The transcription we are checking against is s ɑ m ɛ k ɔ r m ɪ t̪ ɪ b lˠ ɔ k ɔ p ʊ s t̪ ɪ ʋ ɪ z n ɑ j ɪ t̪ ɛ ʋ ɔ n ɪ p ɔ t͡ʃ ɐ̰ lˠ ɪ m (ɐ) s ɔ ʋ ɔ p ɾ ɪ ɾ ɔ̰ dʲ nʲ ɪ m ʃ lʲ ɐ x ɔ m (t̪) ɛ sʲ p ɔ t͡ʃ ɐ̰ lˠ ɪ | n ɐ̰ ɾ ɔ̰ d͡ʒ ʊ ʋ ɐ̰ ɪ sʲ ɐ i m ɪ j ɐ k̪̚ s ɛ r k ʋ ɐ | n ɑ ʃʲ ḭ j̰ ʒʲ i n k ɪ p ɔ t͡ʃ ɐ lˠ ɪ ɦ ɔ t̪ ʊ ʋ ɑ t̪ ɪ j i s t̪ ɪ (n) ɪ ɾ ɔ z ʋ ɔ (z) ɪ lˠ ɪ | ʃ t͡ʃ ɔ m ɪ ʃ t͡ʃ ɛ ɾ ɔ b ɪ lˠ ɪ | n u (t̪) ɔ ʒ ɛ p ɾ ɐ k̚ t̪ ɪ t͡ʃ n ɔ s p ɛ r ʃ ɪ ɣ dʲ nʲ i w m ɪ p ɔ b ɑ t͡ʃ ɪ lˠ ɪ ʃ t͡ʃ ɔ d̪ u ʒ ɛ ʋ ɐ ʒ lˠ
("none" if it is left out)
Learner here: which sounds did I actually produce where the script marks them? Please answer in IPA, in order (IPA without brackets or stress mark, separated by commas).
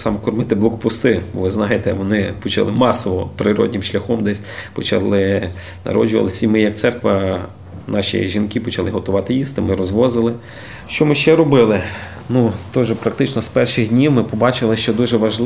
ɑ, d̪, m, z, t̪